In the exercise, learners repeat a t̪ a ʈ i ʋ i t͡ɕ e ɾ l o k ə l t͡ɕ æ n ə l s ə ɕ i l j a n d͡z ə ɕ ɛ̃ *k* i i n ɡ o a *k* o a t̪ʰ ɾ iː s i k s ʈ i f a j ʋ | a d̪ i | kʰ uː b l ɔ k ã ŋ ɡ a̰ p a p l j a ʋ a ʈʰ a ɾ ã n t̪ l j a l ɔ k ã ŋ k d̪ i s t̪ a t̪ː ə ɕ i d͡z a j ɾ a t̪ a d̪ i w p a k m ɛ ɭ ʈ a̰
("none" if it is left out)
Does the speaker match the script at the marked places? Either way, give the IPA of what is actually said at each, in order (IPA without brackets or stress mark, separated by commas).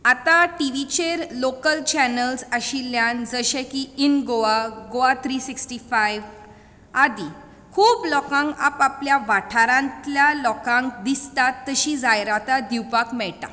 k, ɡ